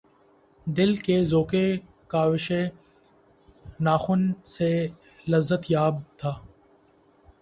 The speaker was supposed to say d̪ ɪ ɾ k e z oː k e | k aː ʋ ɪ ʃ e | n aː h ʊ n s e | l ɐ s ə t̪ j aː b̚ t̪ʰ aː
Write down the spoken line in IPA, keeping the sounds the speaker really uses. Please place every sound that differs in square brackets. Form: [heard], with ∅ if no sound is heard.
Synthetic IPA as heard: d̪ ɪ [l] k e z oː k e | k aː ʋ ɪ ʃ e | n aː [x] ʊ n s e | l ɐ [z] ə t̪ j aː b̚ t̪ʰ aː

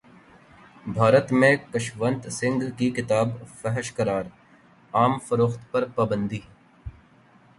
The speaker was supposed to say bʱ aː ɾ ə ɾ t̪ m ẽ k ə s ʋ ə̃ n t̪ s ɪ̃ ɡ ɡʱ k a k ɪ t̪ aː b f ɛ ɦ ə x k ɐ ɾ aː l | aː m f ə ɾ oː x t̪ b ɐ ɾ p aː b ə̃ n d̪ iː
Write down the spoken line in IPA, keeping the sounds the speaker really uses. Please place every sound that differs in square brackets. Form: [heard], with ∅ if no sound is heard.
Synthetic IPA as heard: bʱ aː ɾ ə [∅] t̪ m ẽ k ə [ʃ] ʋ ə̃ n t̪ s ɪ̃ [ŋ] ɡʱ k [i] k ɪ t̪ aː b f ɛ ɦ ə [ʃ] k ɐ ɾ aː [ɾ] | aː m f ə ɾ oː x t̪ [p] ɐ ɾ p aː b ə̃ n d̪ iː

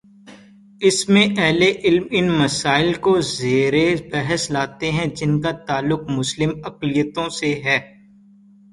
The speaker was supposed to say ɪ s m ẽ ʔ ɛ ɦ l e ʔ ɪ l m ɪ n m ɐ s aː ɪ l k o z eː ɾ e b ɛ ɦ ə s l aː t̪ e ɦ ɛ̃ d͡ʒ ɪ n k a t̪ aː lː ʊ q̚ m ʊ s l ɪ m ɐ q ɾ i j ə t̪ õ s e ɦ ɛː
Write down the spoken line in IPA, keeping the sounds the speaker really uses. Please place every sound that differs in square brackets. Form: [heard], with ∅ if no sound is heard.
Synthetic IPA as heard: ɪ s m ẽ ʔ ɛ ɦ l e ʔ ɪ l m ɪ n m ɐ s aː ɪ l k o z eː ɾ e b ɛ ɦ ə s l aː t̪ e ɦ ɛ̃ d͡ʒ ɪ n k a t̪ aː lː ʊ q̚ m ʊ s l ɪ m ɐ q [l] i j ə t̪ õ s e ɦ ɛː

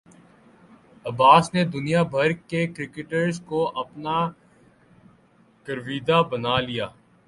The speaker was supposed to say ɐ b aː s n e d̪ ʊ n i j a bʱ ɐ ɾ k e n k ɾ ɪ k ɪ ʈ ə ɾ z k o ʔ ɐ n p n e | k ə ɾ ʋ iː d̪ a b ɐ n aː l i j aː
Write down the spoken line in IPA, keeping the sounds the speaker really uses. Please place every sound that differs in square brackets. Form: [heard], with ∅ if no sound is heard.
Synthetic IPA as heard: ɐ b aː s n e d̪ ʊ n i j a bʱ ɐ ɾ k e [∅] k ɾ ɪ k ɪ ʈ ə ɾ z k o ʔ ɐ [∅] p n [a] | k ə ɾ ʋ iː d̪ a b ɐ n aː l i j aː

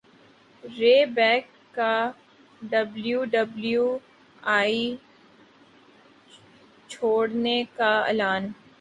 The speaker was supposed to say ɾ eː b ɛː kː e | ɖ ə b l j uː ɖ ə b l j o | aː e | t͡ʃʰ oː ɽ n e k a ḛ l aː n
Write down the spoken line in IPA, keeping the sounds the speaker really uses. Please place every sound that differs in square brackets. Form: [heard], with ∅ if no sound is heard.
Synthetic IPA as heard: ɾ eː b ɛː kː [a] | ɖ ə b l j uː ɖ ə b l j [u] | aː [i] | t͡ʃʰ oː ɽ n e k a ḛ l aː n

